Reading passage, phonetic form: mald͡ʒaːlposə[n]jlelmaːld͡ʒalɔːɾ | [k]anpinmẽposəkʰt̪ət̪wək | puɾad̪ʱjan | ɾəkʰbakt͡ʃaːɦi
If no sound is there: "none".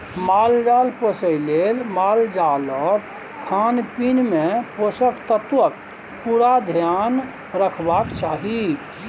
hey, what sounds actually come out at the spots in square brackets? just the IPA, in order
none, kʰ

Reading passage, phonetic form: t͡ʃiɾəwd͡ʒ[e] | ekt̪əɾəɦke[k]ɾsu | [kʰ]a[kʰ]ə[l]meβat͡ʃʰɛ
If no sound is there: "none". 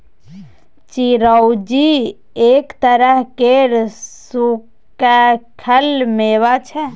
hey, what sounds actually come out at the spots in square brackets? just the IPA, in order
i, none, k, kʰ, l

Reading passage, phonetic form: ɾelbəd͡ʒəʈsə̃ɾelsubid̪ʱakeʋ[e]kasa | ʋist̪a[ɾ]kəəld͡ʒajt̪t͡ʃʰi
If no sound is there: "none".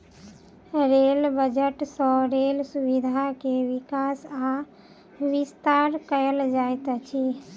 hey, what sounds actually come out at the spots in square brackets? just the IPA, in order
i, ɾ

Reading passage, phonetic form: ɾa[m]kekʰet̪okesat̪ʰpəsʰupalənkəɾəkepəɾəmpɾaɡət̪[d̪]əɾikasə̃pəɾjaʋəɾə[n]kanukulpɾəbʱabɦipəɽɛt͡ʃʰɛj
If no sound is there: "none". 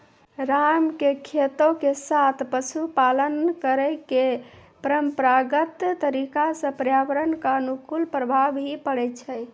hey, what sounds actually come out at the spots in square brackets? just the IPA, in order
m, t̪, n

